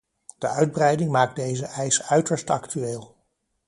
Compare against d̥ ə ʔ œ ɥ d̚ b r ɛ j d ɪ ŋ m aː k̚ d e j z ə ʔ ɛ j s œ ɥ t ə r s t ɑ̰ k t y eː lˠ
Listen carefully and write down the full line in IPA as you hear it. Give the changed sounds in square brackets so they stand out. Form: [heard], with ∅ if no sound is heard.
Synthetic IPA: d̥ ə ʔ œ ɥ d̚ b r ɛ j d ɪ ŋ m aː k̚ d e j z ə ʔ ɛ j s œ ɥ t ə [ɹ] s t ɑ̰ k t y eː lˠ